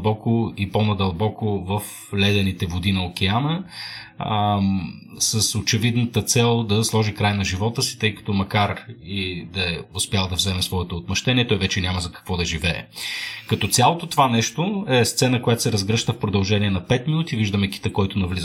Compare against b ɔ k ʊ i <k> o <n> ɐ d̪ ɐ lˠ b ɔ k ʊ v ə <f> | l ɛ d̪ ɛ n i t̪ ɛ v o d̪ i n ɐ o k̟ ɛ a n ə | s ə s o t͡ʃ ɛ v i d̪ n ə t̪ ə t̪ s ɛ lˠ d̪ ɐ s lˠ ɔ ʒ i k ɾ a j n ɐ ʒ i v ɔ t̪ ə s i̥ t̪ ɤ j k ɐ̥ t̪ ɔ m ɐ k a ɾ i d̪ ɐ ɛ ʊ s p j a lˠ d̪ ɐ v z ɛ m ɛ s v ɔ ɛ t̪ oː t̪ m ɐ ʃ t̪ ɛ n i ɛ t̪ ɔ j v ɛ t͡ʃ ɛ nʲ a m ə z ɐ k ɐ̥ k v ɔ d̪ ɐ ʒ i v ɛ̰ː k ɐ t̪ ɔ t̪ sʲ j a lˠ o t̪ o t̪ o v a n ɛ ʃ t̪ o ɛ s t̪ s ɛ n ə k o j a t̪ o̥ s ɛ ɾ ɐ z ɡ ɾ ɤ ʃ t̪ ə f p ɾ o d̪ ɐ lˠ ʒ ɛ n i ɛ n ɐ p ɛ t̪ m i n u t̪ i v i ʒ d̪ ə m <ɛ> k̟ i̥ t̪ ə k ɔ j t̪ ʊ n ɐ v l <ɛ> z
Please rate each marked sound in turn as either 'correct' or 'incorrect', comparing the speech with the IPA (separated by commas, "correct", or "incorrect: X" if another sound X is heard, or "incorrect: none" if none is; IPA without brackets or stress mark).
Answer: incorrect: p, correct, correct, correct, incorrect: i